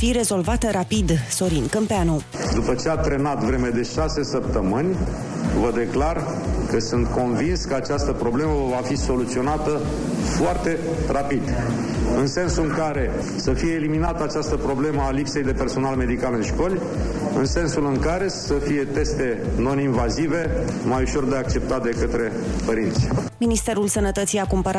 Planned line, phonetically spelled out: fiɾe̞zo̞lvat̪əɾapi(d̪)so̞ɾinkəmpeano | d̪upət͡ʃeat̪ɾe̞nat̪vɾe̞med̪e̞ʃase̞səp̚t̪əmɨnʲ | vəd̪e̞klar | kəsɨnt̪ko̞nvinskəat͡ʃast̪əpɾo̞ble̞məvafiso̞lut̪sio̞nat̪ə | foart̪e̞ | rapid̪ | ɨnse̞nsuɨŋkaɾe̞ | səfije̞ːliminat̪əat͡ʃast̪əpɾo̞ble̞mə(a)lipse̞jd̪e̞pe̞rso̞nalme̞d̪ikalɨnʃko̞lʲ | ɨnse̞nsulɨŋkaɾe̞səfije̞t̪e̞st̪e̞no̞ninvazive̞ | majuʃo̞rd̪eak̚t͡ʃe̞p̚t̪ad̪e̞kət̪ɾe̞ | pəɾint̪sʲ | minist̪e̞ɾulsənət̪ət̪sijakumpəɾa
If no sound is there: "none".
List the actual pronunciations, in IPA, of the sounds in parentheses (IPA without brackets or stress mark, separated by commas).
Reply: d̪, a